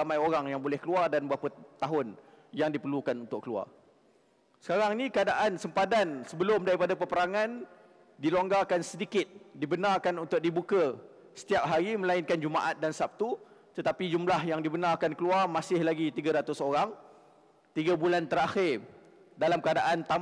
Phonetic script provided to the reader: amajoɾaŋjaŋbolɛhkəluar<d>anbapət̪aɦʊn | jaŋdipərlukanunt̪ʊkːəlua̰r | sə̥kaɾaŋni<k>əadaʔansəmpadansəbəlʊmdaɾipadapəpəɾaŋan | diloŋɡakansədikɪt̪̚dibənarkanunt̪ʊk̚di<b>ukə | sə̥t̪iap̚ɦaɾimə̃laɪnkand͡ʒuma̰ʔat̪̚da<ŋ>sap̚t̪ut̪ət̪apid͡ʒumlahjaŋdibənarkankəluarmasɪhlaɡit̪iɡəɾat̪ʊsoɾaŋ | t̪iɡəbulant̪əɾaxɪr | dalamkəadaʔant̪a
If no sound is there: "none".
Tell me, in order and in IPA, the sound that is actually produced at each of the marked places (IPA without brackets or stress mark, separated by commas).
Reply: d, k, b, n